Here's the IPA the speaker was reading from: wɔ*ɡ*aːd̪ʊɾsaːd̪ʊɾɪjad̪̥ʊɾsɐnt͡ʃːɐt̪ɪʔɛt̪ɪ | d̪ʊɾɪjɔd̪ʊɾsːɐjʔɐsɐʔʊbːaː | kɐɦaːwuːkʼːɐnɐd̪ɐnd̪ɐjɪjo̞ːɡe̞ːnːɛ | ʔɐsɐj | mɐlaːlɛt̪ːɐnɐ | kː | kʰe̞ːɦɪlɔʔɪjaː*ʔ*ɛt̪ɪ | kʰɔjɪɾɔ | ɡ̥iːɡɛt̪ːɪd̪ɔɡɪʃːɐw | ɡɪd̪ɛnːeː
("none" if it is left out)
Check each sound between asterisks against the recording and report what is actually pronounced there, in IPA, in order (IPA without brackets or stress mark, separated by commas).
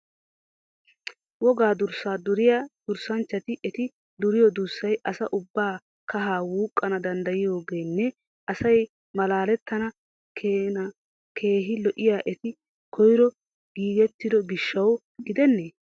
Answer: ɡ, ʔ